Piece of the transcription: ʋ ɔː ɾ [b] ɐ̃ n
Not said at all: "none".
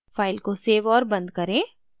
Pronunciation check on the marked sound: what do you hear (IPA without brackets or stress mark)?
b